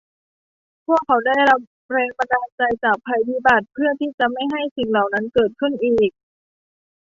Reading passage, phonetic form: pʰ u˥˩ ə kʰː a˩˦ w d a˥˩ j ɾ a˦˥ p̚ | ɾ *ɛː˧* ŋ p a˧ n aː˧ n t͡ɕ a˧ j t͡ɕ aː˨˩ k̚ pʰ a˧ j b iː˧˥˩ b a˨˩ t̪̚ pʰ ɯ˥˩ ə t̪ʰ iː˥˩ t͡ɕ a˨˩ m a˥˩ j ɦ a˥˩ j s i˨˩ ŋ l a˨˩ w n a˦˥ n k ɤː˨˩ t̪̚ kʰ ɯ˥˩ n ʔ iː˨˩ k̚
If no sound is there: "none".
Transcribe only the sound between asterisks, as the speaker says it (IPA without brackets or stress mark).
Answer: ɛː˧